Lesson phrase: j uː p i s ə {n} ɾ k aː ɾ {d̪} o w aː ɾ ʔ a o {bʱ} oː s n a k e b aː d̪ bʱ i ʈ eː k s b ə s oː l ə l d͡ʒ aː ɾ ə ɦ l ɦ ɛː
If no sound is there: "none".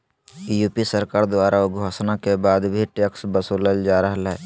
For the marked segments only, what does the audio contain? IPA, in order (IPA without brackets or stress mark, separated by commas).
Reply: none, d̪, ɡʱ